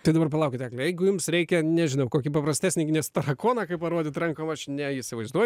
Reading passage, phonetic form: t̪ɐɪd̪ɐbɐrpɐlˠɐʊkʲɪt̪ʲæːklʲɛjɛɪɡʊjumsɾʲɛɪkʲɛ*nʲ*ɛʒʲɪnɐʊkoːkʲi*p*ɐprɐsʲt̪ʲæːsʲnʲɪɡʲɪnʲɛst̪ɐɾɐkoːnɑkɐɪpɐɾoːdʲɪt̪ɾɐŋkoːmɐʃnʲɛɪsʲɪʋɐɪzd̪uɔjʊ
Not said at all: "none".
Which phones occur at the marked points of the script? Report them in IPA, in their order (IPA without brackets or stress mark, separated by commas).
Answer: nʲ, p